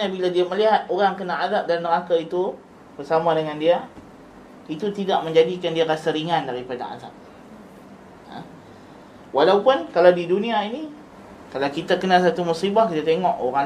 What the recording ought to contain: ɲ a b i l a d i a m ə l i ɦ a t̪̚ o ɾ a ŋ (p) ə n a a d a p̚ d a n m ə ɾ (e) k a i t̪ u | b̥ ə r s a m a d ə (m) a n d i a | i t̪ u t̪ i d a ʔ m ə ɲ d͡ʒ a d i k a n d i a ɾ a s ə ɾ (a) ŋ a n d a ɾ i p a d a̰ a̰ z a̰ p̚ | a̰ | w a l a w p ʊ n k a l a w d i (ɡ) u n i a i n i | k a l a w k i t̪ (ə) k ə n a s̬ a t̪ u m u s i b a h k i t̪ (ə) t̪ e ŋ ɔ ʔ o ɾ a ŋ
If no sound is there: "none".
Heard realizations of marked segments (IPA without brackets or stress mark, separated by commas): k, a, ŋ, i, d, a, a